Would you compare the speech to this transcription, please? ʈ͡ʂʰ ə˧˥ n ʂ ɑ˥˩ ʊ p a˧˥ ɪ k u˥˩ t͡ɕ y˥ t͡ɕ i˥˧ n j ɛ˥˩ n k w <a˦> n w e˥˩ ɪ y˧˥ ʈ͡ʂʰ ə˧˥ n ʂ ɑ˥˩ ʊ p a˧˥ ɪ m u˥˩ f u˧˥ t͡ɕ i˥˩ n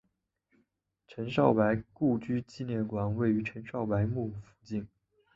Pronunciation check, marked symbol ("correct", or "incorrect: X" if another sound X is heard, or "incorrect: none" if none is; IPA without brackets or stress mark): incorrect: a˨˩